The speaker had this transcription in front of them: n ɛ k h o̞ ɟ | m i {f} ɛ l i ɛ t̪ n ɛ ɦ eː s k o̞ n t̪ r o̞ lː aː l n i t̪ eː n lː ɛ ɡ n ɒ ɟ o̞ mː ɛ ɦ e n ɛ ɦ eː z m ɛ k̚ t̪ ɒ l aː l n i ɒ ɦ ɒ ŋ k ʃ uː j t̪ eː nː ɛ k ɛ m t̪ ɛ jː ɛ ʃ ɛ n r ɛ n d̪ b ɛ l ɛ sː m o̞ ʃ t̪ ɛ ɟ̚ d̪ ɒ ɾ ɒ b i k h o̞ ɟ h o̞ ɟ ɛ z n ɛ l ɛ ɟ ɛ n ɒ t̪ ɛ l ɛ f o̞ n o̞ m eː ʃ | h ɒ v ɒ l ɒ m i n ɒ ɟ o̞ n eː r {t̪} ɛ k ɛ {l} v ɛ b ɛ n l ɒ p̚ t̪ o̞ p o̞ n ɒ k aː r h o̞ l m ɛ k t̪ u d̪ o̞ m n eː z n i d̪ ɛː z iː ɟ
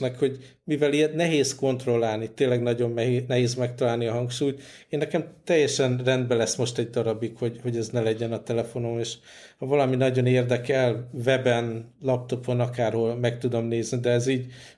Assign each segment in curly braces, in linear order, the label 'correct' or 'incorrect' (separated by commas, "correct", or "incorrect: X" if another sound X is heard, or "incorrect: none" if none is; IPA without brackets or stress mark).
incorrect: v, incorrect: d̪, correct